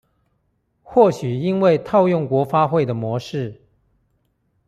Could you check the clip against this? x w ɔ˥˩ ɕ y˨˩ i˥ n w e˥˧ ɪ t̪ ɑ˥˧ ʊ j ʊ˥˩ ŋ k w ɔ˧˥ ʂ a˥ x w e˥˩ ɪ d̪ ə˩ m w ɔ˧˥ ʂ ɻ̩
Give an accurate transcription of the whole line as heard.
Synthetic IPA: x w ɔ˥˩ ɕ y˨˩ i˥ n w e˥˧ ɪ t̪ʰ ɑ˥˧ ʊ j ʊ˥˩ ŋ k w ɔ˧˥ f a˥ x w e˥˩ ɪ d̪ ə˩ m w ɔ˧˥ ʂ ɻ̩

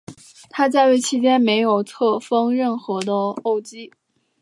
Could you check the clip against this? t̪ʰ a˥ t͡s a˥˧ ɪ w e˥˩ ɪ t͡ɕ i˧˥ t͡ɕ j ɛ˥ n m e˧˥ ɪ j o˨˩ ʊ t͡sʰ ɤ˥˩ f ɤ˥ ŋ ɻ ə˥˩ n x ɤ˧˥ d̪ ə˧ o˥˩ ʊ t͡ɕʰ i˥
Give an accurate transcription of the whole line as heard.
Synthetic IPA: t̪ʰ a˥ t͡s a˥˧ ɪ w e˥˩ ɪ t͡ɕʰ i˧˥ t͡ɕ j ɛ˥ n m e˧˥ ɪ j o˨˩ ʊ t͡sʰ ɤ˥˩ f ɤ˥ ŋ ɻ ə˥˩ n x ɤ˧˥ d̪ ə˧ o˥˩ ʊ t͡ɕ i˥

